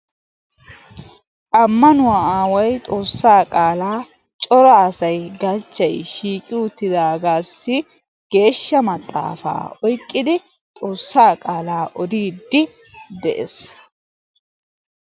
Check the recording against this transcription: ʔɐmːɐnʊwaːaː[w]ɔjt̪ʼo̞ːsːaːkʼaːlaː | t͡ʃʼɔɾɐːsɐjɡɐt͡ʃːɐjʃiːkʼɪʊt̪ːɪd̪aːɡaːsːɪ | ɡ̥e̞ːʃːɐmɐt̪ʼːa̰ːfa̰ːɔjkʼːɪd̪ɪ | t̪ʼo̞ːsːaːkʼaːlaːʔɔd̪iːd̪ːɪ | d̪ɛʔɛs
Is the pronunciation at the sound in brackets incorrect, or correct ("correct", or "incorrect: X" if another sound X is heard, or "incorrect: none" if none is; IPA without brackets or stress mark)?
correct